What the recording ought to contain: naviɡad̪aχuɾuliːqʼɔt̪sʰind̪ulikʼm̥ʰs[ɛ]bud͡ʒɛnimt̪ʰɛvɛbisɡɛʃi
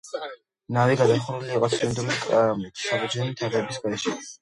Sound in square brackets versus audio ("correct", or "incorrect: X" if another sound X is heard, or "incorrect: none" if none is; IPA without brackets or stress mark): incorrect: a